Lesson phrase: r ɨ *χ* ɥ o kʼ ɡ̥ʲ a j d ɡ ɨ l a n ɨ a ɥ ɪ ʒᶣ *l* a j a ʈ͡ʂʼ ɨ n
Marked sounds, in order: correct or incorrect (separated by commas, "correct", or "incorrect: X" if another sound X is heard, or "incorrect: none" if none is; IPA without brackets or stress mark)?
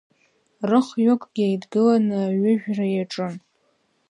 correct, incorrect: r